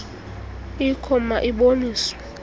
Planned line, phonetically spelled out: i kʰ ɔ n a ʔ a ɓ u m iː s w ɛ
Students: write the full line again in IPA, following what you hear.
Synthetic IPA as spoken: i kʰ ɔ m a ʔ i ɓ o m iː s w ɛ

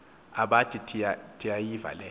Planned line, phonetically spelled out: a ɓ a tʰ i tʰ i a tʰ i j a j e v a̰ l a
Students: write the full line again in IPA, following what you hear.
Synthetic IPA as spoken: a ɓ a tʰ i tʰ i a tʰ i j a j i v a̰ l ɛ

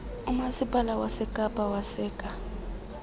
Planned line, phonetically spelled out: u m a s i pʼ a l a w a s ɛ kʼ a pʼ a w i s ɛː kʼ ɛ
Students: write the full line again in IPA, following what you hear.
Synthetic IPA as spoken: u m a s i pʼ a l a w a s ɛ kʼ a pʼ a w a s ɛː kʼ a

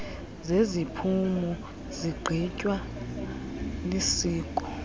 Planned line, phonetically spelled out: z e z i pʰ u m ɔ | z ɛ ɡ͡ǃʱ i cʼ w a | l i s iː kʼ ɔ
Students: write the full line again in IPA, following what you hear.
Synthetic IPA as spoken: z e z i pʰ u m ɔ | z i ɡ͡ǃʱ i cʼ w a | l i s iː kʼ ɔ

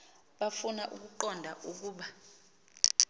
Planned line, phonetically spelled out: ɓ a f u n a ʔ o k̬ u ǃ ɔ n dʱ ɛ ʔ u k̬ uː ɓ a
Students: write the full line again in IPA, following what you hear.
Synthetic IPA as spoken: ɓ a f u n a ʔ u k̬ u ǃ ɔ n dʱ a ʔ u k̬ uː ɓ a

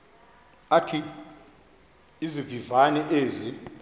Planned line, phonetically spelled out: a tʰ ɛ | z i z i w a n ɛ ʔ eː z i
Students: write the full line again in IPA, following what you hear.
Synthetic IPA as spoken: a tʰ i | z i v i v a n ɛ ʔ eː z i

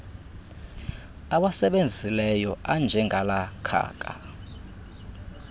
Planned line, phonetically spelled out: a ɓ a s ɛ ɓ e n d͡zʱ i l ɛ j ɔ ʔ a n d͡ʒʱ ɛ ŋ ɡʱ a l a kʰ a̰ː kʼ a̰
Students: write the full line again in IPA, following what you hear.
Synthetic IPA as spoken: a ɓ a s ɛ ɓ e n d͡zʱ i l ɛ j ɔ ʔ a n d͡ʒʱ ɛ ŋ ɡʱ a l a kʰ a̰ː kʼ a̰

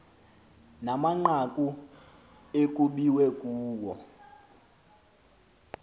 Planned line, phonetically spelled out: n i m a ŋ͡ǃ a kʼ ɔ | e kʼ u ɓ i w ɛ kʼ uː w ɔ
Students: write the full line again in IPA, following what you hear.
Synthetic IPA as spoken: n a m a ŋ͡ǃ a kʼ u | e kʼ u ɓ i w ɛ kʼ uː w ɔ

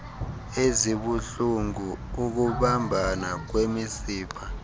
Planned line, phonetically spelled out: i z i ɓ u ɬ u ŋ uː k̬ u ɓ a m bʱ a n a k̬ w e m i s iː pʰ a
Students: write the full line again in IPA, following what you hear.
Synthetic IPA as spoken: e z i ɓ u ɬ u ŋ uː k̬ u ɓ a m bʱ a n a k̬ w e m i s iː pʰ a

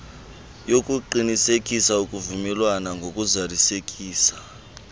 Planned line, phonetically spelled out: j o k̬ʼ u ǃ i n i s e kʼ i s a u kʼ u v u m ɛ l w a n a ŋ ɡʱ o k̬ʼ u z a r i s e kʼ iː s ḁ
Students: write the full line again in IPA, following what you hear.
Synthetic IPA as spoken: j o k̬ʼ u ǃ i n i s e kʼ i s a u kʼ u v u m ɛ l w a n a ŋ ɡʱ o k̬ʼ u z a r i s e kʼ iː s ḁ

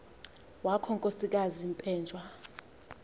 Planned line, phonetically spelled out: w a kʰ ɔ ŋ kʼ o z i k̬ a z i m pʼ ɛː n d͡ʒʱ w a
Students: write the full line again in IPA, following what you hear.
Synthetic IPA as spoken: w a kʰ ɔ ŋ kʼ o s i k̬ a z i m pʼ ɛː n d͡ʒʱ w a

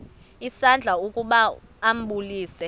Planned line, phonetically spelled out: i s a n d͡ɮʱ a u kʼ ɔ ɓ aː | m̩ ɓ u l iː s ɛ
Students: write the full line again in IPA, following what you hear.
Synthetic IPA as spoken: i s a n d͡ɮʱ a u kʼ u ɓ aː | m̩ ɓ u l iː s ɛ

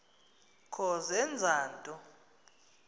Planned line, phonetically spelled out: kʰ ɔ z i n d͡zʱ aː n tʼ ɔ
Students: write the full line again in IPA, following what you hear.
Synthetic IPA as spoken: kʰ ɔ z ɛ n d͡zʱ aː n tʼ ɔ

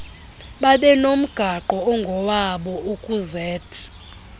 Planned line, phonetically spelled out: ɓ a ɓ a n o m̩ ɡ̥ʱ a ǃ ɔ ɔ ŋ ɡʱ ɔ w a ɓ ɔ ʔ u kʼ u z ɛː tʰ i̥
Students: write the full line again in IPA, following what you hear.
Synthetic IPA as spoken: ɓ a ɓ ɛ n o m̩ ɡ̥ʱ a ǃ ɔ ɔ ŋ ɡʱ ɔ w a ɓ ɔ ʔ u kʼ u z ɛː tʰ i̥

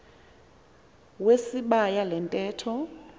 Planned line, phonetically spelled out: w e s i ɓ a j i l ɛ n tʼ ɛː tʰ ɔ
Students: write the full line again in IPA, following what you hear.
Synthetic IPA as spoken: w e s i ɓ a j a l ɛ n tʼ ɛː tʰ ɔ

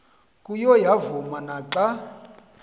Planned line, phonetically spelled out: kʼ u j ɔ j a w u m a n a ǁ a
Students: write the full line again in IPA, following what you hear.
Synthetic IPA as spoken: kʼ u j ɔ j a v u m a n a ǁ a

